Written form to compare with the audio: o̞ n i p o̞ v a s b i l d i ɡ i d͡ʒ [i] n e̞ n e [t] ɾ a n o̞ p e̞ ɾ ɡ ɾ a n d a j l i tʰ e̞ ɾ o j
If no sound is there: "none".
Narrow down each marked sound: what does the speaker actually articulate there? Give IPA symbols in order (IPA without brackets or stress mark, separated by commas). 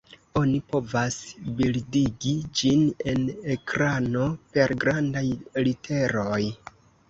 i, k